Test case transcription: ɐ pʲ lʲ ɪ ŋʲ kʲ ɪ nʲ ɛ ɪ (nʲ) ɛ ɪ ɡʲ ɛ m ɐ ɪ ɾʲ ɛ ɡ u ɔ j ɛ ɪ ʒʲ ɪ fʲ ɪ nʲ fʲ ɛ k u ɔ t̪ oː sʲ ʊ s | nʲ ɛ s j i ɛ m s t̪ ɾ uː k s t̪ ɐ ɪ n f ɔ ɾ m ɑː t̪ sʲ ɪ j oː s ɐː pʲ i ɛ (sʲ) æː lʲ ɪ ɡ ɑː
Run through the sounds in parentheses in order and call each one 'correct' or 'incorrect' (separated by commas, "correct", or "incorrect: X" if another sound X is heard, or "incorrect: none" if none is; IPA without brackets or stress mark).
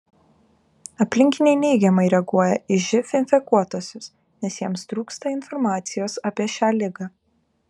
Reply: correct, incorrect: ʃʲ